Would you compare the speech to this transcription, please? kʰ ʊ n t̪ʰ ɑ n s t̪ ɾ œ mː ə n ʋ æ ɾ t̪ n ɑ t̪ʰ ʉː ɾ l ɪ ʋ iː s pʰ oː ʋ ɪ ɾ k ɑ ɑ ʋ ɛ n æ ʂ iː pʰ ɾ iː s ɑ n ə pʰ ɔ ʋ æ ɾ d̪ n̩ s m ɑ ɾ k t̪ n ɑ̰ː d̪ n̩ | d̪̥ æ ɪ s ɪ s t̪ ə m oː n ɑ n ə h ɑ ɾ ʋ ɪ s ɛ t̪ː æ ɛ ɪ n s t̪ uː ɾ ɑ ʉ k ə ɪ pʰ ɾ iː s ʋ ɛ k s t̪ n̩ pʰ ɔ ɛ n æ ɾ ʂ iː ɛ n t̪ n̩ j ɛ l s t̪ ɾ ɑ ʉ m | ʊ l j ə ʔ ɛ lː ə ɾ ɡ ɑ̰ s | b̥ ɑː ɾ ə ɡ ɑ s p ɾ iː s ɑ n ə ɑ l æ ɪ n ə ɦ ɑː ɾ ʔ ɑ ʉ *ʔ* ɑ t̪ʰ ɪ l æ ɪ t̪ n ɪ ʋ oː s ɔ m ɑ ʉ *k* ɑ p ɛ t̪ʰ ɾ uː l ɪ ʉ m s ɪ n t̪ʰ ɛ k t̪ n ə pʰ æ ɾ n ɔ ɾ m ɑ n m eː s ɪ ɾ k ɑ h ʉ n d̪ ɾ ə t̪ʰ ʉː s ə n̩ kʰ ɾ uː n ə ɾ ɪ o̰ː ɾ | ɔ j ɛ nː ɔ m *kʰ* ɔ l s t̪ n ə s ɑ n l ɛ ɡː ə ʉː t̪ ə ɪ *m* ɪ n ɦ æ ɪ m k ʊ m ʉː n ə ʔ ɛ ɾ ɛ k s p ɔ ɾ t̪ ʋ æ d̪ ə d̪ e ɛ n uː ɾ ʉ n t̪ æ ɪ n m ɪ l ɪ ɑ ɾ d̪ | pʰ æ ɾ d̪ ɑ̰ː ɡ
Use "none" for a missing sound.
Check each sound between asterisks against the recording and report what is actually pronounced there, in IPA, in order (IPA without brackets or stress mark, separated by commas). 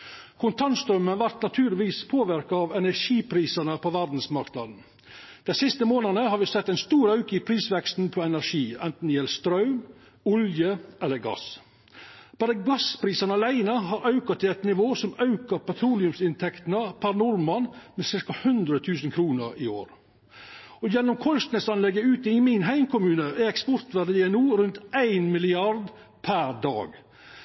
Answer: k, k, kʰ, m